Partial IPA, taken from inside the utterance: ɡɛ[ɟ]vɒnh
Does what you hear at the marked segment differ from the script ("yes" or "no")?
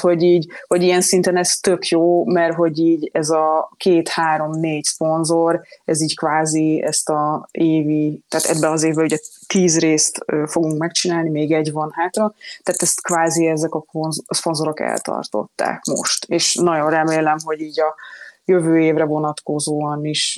no